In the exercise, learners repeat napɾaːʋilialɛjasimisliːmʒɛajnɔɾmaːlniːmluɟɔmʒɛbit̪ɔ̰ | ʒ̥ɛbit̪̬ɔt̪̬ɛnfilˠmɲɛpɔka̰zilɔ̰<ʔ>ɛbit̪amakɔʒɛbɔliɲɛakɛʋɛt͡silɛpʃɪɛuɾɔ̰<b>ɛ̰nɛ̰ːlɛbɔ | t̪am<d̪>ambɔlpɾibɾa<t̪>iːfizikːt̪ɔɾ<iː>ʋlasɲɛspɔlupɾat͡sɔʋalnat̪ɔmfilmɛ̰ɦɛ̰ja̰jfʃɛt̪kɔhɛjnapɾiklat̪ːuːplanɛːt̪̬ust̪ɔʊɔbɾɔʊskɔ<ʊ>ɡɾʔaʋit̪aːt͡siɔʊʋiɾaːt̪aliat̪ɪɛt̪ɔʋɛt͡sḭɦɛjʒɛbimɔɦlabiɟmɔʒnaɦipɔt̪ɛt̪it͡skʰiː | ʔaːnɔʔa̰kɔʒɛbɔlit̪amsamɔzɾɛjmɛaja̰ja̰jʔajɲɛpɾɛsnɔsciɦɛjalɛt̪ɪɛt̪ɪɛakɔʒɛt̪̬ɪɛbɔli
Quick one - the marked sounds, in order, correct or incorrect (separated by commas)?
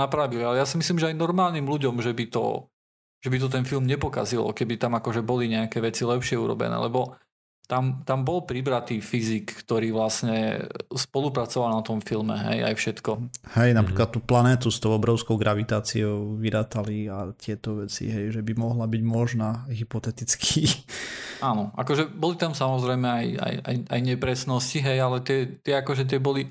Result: incorrect, correct, incorrect, correct, correct, correct